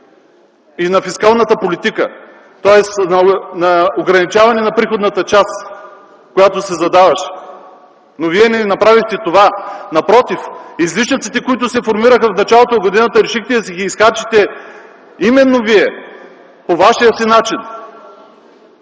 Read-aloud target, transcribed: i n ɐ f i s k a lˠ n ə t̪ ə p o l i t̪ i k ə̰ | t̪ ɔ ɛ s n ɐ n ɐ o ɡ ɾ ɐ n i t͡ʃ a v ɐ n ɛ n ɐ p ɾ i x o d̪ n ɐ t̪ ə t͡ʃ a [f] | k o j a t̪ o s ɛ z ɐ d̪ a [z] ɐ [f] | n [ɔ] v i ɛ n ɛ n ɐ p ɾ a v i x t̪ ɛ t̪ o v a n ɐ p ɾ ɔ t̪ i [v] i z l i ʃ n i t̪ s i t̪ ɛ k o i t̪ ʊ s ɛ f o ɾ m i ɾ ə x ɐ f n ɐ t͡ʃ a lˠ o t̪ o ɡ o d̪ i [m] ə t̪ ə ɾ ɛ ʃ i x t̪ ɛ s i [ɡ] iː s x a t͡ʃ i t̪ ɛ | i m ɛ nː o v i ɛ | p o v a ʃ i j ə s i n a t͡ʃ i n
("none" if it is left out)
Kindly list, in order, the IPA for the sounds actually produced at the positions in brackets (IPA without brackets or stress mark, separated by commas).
s, v, ʃ, o, f, n, ɡ